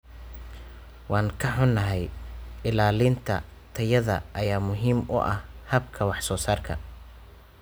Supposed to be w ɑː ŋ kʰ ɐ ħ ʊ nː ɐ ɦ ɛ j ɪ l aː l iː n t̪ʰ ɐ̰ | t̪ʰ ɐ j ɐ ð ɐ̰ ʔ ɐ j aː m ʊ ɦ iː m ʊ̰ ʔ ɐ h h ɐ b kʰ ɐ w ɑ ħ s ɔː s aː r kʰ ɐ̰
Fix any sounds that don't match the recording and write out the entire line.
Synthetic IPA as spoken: w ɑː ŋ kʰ ɐ ħ ʊ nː ɐ ɦ ɛ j ɪ l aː l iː n t̪ʰ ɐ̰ | t̪ʰ ɐ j ɐ ð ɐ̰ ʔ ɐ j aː m ʊ ɦ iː m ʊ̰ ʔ ɐ h h ɐ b kʰ ɐ w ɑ ħ s ɔː s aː r kʰ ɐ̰

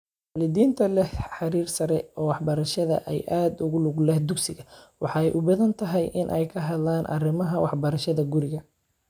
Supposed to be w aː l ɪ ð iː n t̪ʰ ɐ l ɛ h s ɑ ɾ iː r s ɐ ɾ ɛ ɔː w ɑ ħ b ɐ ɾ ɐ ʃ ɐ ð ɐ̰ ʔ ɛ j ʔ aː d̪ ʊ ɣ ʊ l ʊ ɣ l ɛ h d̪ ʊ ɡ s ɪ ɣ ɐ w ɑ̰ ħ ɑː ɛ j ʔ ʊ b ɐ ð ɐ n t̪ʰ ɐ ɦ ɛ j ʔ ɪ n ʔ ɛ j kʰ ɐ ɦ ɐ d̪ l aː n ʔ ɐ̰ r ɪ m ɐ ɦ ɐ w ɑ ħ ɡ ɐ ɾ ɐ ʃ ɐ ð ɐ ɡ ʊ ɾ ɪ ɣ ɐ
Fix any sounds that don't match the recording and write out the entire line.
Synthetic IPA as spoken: w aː l ɪ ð iː n t̪ʰ ɐ l ɛ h ħ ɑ ɾ iː r s ɐ ɾ ɛ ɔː w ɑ ħ b ɐ ɾ ɐ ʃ ɐ ð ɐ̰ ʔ ɛ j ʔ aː d̪ ʊ ɣ ʊ l ʊ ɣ l ɛ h d̪ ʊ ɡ s ɪ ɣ ɐ w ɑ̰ ħ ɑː ɛ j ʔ ʊ b ɐ ð ɐ n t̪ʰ ɐ ɦ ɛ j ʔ ɪ n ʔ ɛ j kʰ ɐ ɦ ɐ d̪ l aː n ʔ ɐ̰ r ɪ m ɐ ɦ ɐ w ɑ ħ b ɐ ɾ ɐ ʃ ɐ ð ɐ ɡ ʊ ɾ ɪ ɣ ɐ

